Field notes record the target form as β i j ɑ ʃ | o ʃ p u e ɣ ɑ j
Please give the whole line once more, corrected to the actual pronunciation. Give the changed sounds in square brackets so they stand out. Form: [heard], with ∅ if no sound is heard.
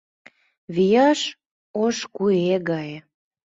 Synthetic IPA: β i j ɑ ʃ | o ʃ [k] u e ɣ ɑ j